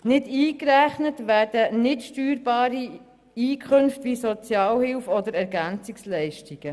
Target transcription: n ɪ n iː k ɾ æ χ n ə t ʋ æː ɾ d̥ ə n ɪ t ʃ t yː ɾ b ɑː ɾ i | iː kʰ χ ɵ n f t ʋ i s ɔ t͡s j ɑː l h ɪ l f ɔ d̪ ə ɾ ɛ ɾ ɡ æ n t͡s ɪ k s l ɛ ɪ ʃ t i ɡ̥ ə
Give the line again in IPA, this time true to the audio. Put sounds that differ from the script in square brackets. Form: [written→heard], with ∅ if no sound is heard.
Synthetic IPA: n ɪ [n→d] iː k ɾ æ χ n ə t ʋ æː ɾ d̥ ə n ɪ t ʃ t yː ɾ b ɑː ɾ i | iː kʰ χ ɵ n f t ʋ i s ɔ t͡s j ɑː l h ɪ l f ɔ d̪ ə ɾ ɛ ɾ ɡ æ n t͡s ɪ k s l ɛ ɪ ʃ t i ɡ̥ ə